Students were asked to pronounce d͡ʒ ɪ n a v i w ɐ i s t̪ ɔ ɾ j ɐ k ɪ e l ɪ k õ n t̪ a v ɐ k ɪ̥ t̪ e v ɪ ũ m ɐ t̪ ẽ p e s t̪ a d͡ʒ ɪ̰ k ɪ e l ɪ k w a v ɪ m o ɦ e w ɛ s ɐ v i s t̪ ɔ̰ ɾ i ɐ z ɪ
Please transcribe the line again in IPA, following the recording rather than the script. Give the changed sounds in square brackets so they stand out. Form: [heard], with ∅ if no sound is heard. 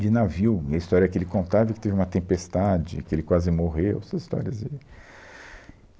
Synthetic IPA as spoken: d͡ʒ ɪ n a v i w ɐ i s t̪ ɔ ɾ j ɐ k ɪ e l ɪ k õ n t̪ a v ɐ k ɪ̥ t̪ e v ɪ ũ m ɐ t̪ ẽ p e s t̪ a d͡ʒ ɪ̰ k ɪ e l ɪ k w a [z] ɪ m o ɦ e w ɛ s ɐ [z] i s t̪ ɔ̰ ɾ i ɐ z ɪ